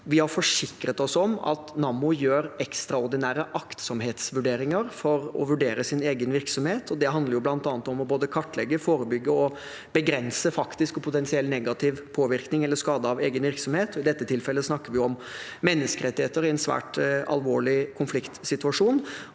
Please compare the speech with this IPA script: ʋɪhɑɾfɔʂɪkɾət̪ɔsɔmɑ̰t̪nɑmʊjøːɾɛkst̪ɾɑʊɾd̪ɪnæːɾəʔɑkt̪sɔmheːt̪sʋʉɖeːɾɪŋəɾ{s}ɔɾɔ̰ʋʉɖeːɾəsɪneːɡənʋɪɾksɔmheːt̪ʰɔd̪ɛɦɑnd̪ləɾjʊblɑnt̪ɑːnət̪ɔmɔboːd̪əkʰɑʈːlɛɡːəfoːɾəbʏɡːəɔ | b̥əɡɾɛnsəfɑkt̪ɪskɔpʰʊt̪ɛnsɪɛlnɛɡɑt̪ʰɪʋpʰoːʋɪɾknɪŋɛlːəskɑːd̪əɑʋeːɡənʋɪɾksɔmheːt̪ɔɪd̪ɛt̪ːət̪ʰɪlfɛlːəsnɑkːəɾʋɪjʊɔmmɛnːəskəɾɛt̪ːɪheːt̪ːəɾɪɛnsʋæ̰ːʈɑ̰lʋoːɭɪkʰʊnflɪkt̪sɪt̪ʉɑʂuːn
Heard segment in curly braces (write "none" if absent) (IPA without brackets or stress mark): f